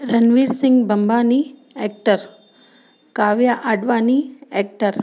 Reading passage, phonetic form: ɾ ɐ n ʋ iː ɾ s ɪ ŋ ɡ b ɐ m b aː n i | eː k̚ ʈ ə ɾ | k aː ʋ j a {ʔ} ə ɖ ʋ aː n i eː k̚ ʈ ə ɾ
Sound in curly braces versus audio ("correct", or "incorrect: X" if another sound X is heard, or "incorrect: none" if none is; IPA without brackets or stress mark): correct